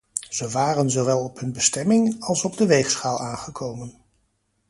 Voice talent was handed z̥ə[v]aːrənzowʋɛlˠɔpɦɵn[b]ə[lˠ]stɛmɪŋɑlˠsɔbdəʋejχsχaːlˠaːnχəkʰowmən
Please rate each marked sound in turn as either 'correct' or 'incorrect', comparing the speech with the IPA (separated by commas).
incorrect, correct, incorrect